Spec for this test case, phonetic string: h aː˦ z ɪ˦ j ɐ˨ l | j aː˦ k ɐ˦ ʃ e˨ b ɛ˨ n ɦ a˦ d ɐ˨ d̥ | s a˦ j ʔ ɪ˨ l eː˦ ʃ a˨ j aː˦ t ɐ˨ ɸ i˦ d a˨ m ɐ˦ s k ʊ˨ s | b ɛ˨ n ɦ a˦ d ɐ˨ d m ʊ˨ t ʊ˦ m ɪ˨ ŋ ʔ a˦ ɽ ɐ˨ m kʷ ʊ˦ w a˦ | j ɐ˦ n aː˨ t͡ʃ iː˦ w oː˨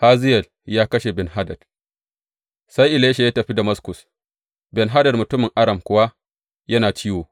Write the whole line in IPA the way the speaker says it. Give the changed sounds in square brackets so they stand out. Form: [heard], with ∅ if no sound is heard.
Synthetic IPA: h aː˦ z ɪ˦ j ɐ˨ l | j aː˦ k ɐ˦ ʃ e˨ b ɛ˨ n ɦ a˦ d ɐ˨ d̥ | s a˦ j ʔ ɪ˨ l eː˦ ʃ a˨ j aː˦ t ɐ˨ ɸ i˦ d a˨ m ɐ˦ s k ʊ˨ s | b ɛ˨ n ɦ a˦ d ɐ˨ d m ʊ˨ t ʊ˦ m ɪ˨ ŋ ʔ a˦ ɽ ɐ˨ m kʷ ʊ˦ w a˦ | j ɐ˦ n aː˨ t͡ʃ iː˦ w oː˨

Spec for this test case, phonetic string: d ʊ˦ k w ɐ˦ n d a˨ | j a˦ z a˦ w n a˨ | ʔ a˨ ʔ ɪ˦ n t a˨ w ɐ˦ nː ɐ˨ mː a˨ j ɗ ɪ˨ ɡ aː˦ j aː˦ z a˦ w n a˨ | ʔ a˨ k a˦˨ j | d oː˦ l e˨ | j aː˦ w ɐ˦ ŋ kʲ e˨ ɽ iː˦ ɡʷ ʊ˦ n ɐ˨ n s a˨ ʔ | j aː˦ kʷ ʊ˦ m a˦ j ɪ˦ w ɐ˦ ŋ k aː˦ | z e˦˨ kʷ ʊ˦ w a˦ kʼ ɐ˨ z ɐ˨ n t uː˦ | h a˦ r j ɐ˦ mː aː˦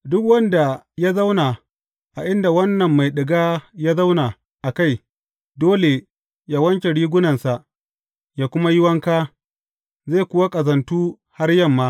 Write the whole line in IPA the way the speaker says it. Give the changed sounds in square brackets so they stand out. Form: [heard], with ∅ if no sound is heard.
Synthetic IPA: d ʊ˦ k w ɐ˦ n d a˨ | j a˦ z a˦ w n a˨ | ʔ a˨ ʔ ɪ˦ n [d] a˨ w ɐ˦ nː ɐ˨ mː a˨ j ɗ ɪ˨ ɡ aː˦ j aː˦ z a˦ w n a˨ | ʔ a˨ k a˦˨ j | d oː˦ l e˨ | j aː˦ w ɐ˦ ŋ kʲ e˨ ɽ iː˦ ɡʷ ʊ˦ n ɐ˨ n s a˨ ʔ | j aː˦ kʷ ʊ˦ m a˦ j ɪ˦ w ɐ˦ ŋ k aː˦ | z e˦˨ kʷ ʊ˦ w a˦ kʼ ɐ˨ z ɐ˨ n t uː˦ | h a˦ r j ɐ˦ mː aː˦

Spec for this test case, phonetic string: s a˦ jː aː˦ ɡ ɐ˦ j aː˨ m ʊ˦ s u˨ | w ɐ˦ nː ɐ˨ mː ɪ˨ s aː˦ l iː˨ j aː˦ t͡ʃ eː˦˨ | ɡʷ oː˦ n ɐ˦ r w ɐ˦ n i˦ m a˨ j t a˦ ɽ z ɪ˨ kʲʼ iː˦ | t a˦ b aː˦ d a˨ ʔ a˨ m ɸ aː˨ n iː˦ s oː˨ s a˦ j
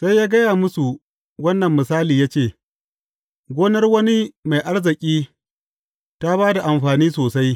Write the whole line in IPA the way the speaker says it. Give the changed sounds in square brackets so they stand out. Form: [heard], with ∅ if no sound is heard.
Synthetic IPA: s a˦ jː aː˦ ɡ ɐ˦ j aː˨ m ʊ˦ s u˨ | w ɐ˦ nː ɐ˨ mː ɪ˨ s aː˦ l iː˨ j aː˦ t͡ʃ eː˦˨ | ɡʷ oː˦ n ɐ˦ r w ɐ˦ n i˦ m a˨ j [ʔ] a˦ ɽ z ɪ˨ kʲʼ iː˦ | t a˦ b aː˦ d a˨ ʔ a˨ m ɸ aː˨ n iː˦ s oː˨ s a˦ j

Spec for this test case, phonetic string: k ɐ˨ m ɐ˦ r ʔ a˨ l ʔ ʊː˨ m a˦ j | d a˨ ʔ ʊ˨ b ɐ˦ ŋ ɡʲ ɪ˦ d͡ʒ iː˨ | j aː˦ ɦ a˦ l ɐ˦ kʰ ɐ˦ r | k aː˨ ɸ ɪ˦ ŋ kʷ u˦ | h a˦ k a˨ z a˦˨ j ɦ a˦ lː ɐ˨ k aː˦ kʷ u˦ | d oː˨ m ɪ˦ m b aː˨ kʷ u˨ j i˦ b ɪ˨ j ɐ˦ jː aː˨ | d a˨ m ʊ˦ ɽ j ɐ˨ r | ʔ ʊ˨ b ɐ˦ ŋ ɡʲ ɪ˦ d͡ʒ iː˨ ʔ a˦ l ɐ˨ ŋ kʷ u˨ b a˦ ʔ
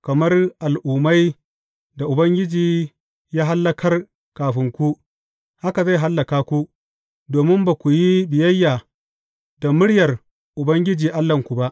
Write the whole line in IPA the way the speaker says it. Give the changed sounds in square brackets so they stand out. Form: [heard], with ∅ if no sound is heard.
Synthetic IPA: k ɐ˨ m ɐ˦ r ʔ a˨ l ʔ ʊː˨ m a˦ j | d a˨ ʔ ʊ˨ b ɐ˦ ŋ ɡʲ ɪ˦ d͡ʒ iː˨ | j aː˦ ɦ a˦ [lː] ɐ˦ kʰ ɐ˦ r | k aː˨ ɸ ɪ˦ ŋ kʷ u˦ | h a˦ k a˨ z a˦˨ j ɦ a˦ lː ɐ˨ k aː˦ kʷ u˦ | d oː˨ m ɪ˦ m b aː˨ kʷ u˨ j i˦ b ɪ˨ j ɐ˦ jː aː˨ | d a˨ m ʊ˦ ɽ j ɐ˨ r | ʔ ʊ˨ b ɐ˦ ŋ ɡʲ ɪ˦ d͡ʒ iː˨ ʔ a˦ [lː] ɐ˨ ŋ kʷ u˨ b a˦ ʔ

